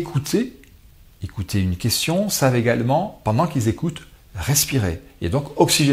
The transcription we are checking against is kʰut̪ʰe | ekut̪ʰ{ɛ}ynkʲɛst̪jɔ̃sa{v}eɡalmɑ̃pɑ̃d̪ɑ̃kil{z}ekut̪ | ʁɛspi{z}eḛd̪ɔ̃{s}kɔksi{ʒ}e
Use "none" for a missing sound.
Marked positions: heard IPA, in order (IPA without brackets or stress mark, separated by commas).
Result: e, v, z, ʁ, none, ʒ